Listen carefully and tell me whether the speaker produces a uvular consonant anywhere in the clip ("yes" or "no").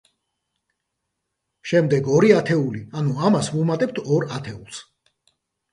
no